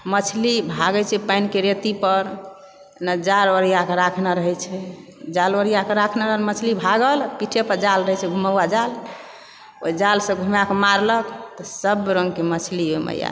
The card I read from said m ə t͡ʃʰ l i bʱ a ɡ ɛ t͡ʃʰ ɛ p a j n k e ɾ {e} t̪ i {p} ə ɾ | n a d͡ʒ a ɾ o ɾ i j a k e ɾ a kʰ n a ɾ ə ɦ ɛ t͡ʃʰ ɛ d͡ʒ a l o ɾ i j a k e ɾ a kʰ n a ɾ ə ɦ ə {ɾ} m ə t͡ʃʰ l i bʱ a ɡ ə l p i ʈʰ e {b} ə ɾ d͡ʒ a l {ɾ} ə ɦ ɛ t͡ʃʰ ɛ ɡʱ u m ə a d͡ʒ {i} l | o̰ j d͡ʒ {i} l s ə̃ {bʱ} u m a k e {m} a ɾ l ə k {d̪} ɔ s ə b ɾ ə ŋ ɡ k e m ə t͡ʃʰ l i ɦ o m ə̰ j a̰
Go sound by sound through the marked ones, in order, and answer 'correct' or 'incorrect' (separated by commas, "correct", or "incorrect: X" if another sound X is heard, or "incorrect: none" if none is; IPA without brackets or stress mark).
correct, correct, incorrect: l, incorrect: p, correct, incorrect: a, incorrect: a, incorrect: ɡʱ, correct, incorrect: t̪